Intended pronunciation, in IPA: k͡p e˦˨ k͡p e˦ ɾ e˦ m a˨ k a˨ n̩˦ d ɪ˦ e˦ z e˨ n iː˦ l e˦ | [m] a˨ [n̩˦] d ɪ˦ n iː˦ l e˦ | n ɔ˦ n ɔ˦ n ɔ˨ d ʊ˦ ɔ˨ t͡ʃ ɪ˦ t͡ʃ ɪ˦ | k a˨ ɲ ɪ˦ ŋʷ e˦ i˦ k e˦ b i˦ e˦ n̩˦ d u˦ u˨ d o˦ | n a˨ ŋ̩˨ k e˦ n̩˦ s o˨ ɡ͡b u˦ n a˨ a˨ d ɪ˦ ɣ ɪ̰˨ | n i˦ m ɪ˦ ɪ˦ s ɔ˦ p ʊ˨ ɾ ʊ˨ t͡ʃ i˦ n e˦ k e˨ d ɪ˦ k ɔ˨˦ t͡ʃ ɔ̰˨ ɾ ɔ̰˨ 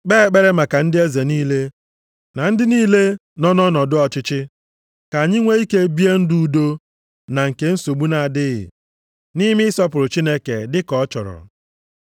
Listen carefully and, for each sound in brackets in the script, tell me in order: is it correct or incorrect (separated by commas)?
incorrect, correct